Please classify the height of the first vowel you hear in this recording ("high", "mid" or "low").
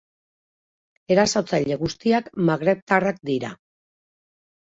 mid